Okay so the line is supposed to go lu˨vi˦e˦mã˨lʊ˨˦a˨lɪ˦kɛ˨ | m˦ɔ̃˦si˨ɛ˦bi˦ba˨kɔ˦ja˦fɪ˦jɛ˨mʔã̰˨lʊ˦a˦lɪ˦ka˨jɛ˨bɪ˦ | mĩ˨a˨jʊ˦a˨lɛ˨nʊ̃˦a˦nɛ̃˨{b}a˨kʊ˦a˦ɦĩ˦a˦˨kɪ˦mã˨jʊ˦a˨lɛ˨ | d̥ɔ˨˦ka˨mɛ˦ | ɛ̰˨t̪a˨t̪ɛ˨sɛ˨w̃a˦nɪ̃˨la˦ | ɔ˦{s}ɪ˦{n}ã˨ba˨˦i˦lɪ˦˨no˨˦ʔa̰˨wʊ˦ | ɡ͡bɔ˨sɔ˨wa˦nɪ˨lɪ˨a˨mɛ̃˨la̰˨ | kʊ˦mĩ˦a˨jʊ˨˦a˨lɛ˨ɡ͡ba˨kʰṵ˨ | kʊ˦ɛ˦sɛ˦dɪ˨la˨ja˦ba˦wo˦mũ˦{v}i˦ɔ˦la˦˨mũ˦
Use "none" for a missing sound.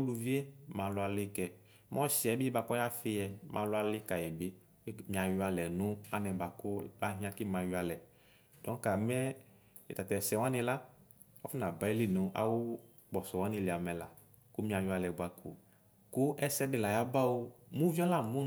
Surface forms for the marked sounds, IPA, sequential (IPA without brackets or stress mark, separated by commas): b, f, n, v